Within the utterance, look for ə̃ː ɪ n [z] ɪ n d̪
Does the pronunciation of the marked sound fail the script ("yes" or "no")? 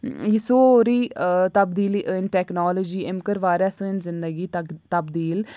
no